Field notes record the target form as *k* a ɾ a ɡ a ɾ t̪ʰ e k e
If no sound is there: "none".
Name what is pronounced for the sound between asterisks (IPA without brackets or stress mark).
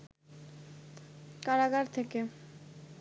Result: k